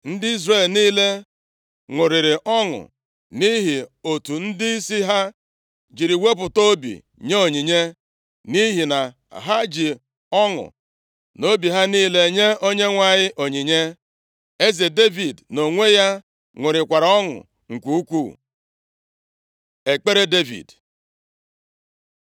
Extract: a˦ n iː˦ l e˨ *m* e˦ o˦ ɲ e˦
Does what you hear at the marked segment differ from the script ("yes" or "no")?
yes